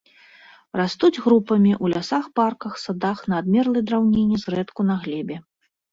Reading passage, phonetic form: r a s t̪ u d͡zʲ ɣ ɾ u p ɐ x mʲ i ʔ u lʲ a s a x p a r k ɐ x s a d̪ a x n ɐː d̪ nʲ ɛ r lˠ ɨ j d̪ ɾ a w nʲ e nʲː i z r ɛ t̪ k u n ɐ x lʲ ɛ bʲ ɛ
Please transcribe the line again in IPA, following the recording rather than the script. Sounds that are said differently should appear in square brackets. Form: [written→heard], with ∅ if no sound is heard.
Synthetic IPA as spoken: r a s t̪ u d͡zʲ ɣ ɾ u p ɐ [x→∅] mʲ i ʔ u lʲ a s a x p a r k ɐ x s a d̪ a x n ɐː d̪ [nʲ→mʲ] ɛ r lˠ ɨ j d̪ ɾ a w nʲ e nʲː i z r ɛ t̪ k u n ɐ [x→ɣ] lʲ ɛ bʲ ɛ